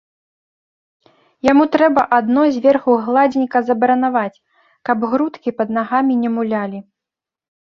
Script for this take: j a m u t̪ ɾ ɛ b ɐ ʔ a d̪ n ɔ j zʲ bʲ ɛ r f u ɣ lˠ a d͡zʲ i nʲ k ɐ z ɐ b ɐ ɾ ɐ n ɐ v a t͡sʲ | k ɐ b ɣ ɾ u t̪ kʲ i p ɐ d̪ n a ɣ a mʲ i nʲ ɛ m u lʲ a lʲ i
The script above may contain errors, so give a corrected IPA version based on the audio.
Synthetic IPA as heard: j a m u t̪ ɾ ɛ b ɐ ʔ a d̪ n ɔ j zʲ vʲ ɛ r x u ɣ lˠ a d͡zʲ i nʲ k ɐ z ɐ b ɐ ɾ ɐ n a v a t͡sʲ | k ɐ b ɣ ɾ u t̪ kʲ i p ɐ d̪ n a ɣ a mʲ i nʲ ɛ m u lʲ a lʲ i